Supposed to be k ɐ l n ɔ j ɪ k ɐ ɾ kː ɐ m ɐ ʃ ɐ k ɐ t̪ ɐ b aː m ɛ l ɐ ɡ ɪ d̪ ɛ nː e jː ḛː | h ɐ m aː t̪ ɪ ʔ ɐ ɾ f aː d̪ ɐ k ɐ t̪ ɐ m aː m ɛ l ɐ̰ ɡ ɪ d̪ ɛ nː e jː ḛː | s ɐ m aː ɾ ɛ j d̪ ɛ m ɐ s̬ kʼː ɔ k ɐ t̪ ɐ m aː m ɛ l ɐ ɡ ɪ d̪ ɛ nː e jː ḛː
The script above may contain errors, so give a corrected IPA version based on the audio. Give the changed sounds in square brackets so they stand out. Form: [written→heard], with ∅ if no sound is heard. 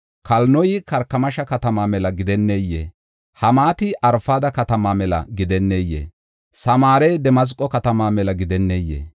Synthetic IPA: k ɐ l n ɔ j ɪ k ɐ ɾ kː ɐ m ɐ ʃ ɐ k ɐ t̪ ɐ [b→m] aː m ɛ l ɐ ɡ ɪ d̪ ɛ nː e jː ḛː | h ɐ m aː t̪ ɪ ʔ ɐ ɾ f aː d̪ ɐ k ɐ t̪ ɐ m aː m ɛ l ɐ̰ ɡ ɪ d̪ ɛ nː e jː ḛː | s ɐ m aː ɾ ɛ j d̪ ɛ m ɐ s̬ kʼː ɔ k ɐ t̪ ɐ m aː m ɛ l ɐ ɡ ɪ d̪ ɛ nː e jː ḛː